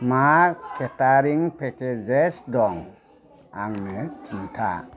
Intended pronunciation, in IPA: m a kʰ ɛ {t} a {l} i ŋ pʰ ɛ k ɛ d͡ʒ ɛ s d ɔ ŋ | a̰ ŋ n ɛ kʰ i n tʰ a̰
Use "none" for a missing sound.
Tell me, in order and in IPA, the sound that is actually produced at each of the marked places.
t, ɾ

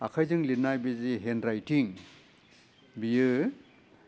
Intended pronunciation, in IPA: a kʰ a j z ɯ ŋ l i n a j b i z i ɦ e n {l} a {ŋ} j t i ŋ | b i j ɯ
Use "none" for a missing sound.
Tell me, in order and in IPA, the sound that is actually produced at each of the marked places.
ɾ, none

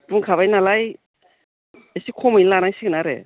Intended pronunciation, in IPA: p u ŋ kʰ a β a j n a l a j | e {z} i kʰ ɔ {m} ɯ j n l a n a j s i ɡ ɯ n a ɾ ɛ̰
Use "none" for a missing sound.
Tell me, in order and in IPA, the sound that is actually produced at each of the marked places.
s, m

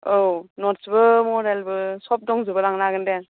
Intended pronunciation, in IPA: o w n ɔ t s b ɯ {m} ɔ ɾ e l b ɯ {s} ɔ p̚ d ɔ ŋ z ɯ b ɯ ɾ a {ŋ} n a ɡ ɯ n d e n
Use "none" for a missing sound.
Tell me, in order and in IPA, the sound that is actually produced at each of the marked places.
m, s, ŋ

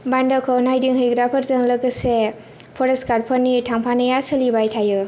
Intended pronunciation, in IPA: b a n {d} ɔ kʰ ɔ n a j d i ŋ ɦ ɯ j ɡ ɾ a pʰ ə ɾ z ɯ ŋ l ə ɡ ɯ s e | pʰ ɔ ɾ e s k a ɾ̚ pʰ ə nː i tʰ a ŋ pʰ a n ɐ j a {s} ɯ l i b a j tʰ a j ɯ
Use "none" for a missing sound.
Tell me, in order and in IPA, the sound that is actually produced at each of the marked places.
d, s

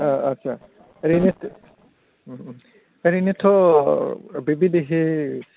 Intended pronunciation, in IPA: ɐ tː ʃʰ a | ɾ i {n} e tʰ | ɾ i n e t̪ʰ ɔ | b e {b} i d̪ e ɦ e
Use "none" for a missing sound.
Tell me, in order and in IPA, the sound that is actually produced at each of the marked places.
n, b

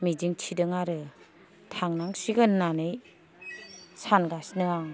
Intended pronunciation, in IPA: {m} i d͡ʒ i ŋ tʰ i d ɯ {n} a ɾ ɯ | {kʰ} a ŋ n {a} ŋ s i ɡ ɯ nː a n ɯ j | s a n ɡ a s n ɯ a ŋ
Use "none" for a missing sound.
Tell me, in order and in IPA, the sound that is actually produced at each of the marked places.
m, ŋ, tʰ, a

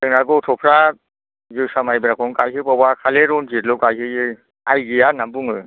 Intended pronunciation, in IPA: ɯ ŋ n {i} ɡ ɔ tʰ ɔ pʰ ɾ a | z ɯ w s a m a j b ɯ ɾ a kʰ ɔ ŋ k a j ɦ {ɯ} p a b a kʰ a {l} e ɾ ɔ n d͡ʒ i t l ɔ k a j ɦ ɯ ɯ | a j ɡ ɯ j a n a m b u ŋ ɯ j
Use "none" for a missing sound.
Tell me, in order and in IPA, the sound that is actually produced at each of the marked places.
a, ɯ, l

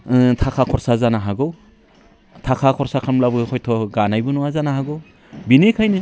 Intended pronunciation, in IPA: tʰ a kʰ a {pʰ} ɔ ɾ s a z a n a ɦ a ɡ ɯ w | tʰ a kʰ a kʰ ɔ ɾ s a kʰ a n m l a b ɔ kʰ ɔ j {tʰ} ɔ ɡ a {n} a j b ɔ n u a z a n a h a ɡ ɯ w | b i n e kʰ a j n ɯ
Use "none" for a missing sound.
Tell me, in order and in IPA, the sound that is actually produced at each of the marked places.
kʰ, tʰ, n

